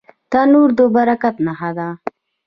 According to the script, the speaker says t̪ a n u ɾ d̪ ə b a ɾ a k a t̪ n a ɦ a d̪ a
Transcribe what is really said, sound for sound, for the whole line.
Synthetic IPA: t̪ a n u ɾ d̪ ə b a ɾ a k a t̪ n a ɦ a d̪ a